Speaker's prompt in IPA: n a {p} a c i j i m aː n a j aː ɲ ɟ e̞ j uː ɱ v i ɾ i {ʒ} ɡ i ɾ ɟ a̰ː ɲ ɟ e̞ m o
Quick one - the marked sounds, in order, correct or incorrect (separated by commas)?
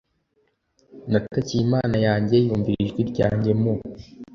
incorrect, correct